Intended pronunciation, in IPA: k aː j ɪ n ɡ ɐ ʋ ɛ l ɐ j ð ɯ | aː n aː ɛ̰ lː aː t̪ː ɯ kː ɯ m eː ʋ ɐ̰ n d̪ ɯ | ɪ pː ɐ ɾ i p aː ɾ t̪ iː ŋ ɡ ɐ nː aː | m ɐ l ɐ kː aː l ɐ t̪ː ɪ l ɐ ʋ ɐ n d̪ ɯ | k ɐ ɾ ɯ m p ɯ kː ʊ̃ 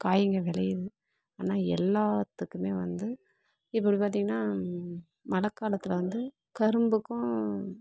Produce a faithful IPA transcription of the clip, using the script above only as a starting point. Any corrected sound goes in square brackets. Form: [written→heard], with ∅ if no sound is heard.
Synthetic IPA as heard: k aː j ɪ [n→ŋ] ɡ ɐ ʋ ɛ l ɐ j ð ɯ | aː n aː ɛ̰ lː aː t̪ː ɯ kː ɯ m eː ʋ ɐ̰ n d̪ ɯ | ɪ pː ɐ [ɾ→ɽ] i p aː ɾ t̪ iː ŋ ɡ ɐ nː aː | m ɐ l ɐ kː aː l ɐ t̪ː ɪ l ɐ ʋ ɐ n d̪ ɯ | k ɐ ɾ ɯ m [p→b] ɯ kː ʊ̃